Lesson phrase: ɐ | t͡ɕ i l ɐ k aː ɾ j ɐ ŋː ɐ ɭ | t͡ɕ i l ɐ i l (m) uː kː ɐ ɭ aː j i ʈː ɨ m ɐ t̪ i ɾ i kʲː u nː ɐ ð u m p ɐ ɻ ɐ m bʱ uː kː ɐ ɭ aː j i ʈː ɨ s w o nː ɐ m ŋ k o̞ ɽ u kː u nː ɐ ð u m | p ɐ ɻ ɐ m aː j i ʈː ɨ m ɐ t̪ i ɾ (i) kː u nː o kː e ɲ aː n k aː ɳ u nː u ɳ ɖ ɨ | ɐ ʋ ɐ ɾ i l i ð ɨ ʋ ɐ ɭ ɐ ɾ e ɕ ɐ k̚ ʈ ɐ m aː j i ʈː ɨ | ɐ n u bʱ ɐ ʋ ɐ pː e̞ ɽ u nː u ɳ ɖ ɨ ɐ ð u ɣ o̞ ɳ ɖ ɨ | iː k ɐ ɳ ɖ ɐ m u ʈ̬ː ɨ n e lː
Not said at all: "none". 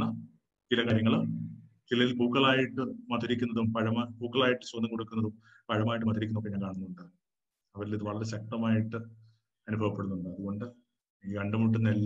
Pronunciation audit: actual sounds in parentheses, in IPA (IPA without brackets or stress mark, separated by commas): b, i